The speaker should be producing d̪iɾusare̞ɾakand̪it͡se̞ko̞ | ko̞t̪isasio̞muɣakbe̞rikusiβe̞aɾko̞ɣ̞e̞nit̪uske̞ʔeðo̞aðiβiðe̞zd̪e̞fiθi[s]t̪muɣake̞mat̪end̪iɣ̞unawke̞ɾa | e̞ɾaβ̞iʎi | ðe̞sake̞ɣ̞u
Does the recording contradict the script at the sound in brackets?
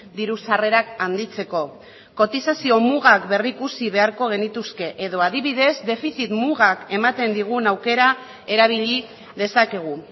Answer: yes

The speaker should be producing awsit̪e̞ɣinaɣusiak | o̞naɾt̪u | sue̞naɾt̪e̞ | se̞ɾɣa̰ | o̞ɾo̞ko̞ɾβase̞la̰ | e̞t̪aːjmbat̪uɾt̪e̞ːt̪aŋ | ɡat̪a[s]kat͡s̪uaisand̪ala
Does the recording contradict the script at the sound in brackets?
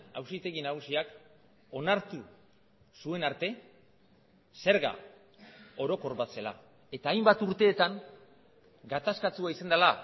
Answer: no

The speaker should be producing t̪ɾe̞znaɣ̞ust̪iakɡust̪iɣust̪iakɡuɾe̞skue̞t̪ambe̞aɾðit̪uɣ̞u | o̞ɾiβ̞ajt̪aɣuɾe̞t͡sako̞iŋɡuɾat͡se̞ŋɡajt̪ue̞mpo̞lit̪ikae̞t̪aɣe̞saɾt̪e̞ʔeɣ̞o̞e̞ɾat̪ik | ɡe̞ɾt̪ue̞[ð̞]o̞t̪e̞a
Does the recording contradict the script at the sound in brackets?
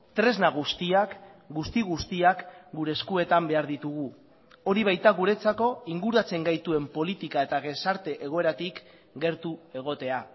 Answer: yes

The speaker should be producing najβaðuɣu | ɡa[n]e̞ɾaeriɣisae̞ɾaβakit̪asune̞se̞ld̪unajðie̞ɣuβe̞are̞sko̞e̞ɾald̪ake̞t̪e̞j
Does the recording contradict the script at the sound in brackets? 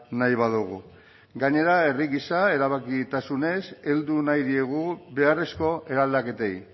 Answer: yes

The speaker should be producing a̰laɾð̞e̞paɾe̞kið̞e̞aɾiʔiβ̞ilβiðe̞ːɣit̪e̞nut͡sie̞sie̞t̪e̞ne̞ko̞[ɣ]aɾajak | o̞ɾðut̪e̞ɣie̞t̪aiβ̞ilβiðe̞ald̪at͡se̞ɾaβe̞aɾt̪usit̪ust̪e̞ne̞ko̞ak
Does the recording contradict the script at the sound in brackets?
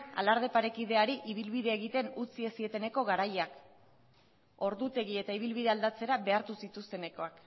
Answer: no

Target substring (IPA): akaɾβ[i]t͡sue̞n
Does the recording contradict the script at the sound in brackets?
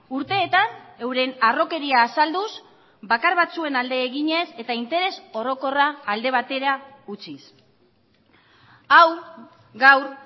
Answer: yes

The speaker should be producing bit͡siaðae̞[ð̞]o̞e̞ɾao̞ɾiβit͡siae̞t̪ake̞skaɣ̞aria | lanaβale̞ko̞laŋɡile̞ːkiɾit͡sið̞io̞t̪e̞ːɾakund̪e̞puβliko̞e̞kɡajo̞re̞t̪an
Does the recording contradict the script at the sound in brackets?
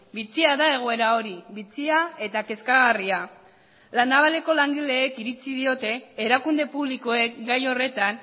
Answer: yes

